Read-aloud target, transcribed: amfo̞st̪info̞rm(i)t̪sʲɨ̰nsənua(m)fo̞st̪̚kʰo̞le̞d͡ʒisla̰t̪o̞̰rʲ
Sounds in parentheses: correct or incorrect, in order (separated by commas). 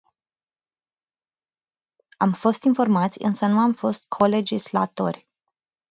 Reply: incorrect, correct